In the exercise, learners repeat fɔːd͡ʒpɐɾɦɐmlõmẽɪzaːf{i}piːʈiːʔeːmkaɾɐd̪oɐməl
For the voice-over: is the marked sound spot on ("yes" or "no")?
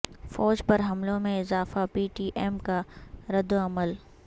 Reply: no